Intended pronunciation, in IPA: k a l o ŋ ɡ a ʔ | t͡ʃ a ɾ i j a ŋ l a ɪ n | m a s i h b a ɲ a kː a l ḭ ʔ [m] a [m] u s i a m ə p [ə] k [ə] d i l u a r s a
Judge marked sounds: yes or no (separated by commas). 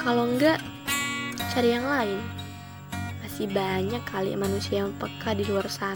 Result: yes, no, yes, no